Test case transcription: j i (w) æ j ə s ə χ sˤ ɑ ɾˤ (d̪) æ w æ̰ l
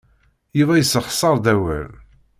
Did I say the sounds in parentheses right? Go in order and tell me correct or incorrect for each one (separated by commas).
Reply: incorrect, correct